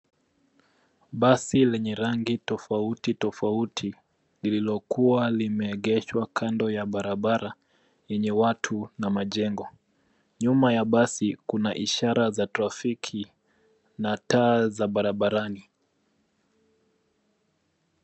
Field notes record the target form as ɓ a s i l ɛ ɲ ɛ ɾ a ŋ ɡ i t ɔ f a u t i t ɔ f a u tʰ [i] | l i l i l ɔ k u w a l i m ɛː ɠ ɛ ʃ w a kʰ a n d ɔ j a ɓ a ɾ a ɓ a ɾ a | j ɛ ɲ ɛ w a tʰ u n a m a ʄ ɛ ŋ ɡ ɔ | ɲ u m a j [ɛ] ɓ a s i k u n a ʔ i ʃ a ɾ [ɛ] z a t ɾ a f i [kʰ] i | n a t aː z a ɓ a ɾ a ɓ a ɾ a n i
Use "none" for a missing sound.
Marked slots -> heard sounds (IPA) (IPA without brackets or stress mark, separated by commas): i, a, a, kʰ